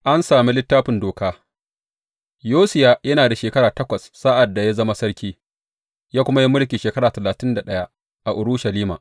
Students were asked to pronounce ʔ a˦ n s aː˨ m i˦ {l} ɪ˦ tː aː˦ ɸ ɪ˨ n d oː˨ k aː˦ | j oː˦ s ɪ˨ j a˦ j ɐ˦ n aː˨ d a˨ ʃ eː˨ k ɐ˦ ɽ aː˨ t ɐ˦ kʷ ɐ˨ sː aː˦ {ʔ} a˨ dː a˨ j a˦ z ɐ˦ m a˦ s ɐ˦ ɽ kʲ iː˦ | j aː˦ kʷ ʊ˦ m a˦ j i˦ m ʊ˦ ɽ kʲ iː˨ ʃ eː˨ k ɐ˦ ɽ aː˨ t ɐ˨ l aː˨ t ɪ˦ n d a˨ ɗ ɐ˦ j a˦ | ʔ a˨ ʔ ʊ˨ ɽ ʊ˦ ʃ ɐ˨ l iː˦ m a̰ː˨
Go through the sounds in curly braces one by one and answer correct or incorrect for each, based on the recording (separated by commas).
correct, correct